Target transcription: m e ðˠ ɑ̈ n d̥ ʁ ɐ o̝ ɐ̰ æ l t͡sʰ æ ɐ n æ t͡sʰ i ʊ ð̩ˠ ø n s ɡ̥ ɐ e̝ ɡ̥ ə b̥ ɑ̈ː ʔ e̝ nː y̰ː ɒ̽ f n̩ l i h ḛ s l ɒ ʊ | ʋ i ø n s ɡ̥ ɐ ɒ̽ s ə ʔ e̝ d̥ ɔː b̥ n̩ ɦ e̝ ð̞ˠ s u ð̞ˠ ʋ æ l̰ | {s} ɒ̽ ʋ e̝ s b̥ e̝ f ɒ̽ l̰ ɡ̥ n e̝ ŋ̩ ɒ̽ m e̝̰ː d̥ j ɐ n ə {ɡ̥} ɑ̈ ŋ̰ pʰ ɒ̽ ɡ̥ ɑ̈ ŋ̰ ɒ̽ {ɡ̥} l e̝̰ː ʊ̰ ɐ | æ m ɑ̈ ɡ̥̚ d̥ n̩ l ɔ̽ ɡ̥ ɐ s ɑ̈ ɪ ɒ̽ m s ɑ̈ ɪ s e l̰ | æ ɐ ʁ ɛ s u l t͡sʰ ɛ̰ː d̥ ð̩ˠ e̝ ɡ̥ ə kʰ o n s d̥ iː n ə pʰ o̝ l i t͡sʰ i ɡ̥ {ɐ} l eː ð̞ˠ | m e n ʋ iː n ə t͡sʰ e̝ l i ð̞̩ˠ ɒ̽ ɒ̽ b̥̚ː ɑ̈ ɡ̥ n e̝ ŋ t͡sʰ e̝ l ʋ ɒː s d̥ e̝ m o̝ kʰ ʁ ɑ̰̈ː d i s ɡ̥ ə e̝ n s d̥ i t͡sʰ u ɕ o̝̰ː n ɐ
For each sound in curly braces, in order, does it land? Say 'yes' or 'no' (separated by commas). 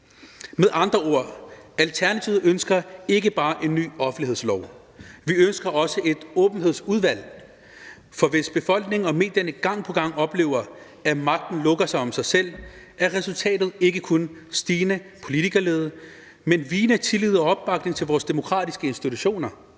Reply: no, yes, no, yes